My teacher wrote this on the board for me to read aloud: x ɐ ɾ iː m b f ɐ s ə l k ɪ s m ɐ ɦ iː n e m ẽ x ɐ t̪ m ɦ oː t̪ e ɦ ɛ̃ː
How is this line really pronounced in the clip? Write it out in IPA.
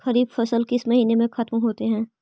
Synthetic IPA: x ɐ ɾ iː b f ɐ s ə l k ɪ s m ɐ ɦ iː n e m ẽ x ɐ t̪ m ɦ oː t̪ e ɦ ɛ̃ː